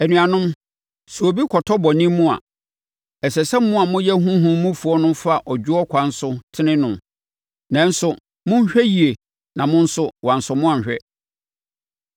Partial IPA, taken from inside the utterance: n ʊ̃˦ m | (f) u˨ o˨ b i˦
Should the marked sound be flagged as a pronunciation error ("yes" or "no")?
yes